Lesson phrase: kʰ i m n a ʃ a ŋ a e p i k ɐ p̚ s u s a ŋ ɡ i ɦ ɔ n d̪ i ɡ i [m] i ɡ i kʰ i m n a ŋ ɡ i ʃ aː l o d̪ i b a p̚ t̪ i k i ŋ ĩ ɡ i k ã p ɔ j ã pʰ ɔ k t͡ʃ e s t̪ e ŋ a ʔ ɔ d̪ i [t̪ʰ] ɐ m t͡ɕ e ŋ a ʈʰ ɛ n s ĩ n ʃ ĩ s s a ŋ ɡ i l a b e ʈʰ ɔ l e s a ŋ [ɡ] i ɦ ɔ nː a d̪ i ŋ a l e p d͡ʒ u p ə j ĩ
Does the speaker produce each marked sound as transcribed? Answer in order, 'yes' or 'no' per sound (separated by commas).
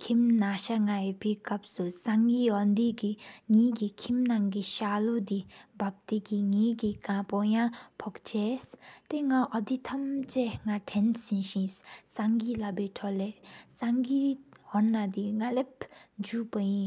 no, yes, yes